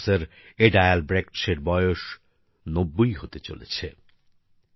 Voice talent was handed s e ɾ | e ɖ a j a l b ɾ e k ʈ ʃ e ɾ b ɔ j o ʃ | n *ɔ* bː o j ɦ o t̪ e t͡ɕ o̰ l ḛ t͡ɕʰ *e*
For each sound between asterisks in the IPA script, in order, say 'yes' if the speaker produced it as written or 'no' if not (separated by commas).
no, yes